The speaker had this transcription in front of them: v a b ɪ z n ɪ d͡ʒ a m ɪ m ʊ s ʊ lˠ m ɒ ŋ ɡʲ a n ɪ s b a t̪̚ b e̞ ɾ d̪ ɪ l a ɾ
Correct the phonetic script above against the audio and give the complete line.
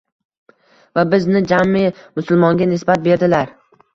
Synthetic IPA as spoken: v a b ɪ z n ɪ d͡ʒ a m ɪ m ʊ s ʊ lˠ m ɒ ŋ ɡʲ a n ɪ s b a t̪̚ b e̞ ɾ d̪ ɪ l a ɾ